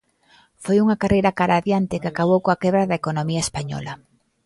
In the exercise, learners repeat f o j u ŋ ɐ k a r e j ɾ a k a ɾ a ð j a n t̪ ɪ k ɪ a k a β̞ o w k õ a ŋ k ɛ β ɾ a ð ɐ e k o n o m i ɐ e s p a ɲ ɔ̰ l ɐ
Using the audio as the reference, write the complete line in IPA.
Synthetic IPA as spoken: f o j u ŋ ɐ k a r e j ɾ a k a ɾ a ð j a n t̪ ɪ k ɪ a k a β̞ o w k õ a k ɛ β ɾ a ð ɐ e k o n o m i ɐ e s p a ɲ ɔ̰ l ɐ